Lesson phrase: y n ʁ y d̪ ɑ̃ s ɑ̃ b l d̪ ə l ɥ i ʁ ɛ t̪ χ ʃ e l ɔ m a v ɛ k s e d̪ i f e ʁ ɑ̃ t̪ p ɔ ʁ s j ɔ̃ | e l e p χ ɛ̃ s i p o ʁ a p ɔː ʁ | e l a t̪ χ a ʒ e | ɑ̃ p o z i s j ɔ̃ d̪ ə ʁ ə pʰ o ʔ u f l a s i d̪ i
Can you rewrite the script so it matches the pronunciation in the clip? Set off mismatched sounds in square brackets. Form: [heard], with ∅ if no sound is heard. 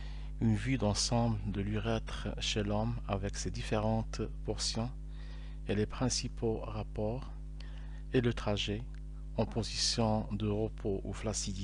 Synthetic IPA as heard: y n [v] y d̪ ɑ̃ s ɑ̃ b l d̪ ə l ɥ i ʁ ɛ t̪ χ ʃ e l ɔ m a v ɛ k s e d̪ i f e ʁ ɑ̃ t̪ p ɔ ʁ s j ɔ̃ | e l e p χ ɛ̃ s i p o ʁ a p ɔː ʁ | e l [ə] t̪ χ a ʒ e | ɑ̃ p o z i s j ɔ̃ d̪ ə ʁ ə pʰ o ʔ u f l a s i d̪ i

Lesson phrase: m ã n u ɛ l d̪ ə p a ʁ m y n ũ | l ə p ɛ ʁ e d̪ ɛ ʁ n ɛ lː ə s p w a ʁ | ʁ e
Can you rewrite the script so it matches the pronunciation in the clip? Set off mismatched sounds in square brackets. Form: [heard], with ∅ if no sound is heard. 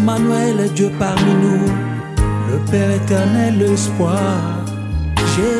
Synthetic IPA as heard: m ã n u ɛ l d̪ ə p a ʁ m [i] n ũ | l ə p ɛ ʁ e [t̪] ɛ ʁ n ɛ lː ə s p w a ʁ | [ʒ] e

